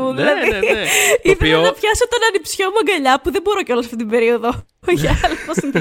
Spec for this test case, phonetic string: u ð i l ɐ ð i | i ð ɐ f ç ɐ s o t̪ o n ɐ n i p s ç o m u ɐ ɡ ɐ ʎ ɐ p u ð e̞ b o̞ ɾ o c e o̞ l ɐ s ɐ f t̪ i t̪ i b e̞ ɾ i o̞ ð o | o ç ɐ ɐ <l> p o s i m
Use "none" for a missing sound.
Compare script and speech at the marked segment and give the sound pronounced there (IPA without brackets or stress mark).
l